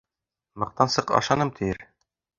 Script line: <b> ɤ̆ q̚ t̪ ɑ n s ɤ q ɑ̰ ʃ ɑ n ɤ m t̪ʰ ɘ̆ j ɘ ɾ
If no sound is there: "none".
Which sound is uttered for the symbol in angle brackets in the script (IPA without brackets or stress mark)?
m